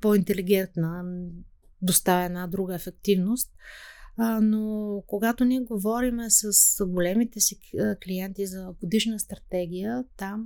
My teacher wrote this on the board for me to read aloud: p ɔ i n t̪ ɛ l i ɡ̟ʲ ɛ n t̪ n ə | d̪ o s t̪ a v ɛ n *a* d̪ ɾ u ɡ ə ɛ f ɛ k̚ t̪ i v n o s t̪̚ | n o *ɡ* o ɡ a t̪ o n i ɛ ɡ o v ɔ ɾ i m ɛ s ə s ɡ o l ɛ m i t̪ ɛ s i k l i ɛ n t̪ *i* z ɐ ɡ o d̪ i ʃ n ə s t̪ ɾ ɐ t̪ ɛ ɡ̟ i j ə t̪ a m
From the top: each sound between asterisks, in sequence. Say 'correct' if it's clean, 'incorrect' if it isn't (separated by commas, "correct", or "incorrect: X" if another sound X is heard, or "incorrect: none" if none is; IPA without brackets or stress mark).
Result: correct, incorrect: k, correct